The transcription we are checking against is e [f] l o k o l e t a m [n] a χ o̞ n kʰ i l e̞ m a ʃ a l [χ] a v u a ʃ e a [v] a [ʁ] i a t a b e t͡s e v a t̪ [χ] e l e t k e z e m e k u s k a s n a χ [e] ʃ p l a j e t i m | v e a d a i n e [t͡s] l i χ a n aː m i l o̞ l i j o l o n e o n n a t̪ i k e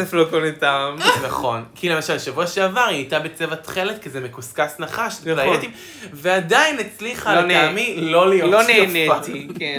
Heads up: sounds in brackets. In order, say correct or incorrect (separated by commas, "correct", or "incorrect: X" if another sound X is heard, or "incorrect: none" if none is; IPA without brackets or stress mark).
correct, correct, incorrect: ʃ, correct, correct, correct, incorrect: a, correct